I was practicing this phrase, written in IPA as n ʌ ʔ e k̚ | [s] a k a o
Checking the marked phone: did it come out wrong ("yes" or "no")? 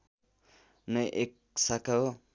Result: no